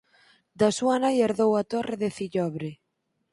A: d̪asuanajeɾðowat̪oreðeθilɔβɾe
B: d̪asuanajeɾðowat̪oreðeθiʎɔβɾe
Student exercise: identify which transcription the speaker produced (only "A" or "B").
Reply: B